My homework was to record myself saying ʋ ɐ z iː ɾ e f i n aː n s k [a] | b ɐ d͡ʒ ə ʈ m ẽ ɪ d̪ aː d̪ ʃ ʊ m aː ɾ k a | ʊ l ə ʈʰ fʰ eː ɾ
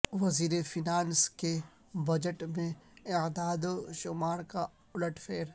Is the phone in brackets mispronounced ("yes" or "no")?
yes